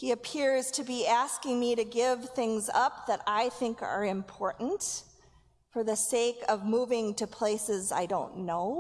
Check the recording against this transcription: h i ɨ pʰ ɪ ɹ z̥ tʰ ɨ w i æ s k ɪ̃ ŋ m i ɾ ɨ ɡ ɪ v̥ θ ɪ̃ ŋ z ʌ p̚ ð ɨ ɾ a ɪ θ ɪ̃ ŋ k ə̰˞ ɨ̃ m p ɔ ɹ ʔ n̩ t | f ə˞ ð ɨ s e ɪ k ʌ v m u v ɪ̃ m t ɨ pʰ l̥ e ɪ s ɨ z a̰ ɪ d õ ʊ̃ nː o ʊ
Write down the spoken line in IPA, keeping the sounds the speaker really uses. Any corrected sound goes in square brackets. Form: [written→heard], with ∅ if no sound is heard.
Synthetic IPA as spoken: h i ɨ pʰ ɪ ɹ z̥ tʰ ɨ [w→b] i æ s k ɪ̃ ŋ m i ɾ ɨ ɡ ɪ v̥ θ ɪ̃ ŋ z ʌ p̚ ð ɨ ɾ a ɪ θ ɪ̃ ŋ k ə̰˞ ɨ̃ m [p→pʰ] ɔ ɹ ʔ n̩ t | f ə˞ ð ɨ s e ɪ k ʌ v m u v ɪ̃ [m→ŋ] t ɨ pʰ l̥ e ɪ s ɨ z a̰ ɪ d õ ʊ̃ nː o ʊ